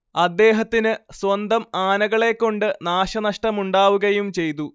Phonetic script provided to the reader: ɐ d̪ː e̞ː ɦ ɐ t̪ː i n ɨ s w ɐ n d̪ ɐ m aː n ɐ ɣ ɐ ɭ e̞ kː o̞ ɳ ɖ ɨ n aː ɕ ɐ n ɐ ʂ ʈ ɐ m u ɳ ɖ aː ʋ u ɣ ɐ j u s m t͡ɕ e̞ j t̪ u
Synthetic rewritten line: ɐ d̪ː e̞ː ɦ ɐ t̪ː i n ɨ s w ɐ n d̪ ɐ m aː n ɐ ɣ ɐ ɭ e̞ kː o̞ ɳ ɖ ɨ n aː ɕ ɐ n ɐ ʂ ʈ ɐ m u ɳ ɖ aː ʋ u ɣ ɐ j u m t͡ɕ e̞ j t̪ u